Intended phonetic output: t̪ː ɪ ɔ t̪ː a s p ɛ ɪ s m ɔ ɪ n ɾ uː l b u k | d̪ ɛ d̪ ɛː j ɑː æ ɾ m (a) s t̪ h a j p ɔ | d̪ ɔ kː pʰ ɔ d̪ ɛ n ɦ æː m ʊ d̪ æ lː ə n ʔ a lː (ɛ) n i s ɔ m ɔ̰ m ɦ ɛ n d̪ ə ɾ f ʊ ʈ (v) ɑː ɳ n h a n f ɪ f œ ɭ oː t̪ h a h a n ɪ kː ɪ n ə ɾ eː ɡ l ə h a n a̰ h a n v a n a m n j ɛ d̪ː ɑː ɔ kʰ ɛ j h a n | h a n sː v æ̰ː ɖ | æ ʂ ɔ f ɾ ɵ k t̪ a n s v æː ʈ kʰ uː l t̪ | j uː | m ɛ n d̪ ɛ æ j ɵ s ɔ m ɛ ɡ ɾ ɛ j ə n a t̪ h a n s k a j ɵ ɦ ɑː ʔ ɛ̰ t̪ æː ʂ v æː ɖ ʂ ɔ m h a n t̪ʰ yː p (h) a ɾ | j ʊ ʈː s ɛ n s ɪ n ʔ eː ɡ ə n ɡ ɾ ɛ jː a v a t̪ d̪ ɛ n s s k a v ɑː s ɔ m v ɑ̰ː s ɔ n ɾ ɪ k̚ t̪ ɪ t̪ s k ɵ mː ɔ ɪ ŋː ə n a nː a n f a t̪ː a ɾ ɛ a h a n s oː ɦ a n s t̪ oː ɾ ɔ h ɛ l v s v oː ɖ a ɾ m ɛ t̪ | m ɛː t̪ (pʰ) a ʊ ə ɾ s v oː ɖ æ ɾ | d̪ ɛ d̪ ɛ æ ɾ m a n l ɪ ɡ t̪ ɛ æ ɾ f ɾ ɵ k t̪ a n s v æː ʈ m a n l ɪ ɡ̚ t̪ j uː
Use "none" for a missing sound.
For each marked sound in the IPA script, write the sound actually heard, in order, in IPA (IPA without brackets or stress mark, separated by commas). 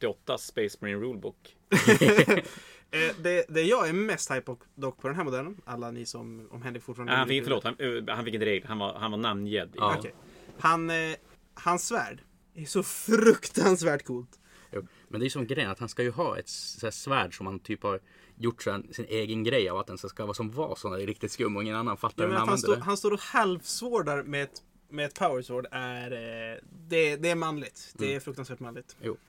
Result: ɛ, a, f, h, pʰ